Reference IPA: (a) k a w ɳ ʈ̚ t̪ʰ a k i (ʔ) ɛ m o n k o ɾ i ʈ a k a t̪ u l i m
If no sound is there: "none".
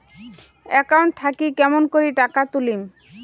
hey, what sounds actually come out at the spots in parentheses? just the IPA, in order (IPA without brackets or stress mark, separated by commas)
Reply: ɛ, k